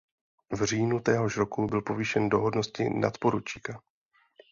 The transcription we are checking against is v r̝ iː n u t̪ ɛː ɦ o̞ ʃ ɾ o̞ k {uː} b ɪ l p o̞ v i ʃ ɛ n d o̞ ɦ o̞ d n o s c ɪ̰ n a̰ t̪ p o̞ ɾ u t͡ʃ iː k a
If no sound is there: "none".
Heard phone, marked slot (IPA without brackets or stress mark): u